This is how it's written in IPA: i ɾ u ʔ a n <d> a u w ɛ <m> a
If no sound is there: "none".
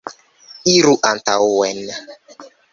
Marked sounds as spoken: t, n

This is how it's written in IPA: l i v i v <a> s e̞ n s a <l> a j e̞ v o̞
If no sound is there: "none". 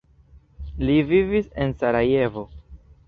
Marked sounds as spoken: i, ɾ

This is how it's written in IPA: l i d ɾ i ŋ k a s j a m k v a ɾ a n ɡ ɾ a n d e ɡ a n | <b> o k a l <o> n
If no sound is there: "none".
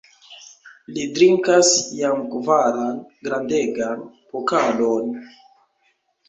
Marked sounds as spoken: p, o

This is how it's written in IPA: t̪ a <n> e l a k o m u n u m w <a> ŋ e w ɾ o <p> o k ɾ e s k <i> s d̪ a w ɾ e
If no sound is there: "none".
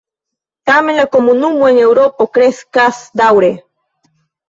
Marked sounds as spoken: m, e, p, a

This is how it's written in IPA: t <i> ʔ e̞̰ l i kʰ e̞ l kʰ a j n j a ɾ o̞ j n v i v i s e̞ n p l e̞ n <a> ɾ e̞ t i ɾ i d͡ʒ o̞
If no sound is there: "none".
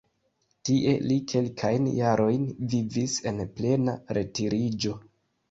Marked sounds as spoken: i, a

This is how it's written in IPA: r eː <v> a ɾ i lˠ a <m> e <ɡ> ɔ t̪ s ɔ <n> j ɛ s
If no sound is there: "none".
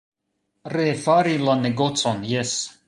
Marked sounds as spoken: f, n, ɡ, n

